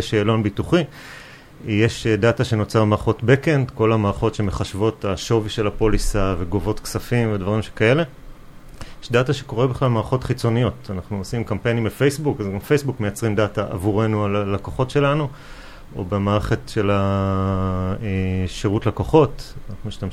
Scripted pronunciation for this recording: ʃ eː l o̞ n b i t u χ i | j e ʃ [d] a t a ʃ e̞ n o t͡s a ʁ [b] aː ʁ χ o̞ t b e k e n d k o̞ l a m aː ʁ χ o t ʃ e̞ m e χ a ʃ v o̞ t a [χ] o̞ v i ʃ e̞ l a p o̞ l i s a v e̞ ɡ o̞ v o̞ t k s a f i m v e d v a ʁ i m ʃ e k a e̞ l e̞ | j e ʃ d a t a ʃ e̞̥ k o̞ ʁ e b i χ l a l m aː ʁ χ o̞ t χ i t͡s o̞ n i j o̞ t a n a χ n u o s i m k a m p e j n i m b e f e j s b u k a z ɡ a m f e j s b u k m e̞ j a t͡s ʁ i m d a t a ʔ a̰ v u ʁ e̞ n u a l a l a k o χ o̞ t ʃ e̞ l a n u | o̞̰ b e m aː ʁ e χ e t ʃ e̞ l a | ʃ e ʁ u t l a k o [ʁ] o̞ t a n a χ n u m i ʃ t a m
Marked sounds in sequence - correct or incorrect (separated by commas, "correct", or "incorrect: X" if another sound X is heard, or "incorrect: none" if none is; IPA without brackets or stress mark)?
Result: correct, incorrect: m, incorrect: ʃ, incorrect: χ